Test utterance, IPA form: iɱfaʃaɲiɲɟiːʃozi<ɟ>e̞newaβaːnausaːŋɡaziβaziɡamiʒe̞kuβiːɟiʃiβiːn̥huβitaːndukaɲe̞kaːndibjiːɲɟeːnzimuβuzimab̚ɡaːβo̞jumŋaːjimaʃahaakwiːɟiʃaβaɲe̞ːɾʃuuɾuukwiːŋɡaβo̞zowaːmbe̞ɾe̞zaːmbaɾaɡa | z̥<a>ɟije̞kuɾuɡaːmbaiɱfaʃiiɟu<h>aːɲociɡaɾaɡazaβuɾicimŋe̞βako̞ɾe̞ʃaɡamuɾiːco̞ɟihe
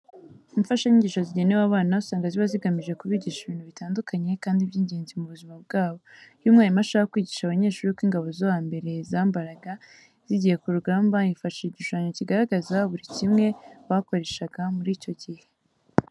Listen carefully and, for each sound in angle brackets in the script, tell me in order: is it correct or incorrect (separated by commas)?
correct, incorrect, incorrect